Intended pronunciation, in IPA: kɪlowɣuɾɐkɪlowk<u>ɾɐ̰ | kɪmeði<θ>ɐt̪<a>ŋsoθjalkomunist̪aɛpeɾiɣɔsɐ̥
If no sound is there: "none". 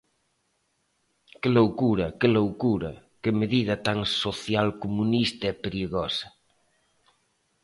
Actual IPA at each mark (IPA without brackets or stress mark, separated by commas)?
u, ð, a